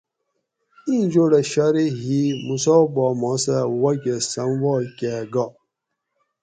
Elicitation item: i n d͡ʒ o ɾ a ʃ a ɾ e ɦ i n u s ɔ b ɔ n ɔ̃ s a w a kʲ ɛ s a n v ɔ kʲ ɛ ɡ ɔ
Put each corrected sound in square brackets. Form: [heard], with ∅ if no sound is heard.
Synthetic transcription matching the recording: i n d͡ʒ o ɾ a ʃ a ɾ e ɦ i [m] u s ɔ b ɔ [m] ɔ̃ s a w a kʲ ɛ s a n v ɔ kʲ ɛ ɡ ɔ